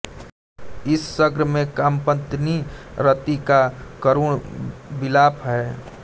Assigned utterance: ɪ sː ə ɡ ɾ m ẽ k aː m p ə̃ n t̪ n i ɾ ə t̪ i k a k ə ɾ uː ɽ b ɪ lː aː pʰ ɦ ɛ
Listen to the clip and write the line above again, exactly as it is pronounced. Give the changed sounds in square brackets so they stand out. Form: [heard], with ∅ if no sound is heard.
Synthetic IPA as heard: ɪ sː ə ɡ ɾ m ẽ k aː m p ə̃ n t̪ n i ɾ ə t̪ i k a k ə ɾ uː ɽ b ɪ [l] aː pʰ ɦ ɛ